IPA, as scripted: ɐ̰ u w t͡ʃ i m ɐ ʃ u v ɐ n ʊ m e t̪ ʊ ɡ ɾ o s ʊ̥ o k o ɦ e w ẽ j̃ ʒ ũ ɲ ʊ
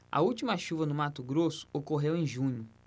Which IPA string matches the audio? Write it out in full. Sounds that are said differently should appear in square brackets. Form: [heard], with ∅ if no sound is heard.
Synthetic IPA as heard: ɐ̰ u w t͡ʃ i m ɐ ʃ u v ɐ n ʊ m [a] t̪ ʊ ɡ ɾ o s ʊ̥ o k o ɦ e w ẽ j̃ ʒ ũ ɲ ʊ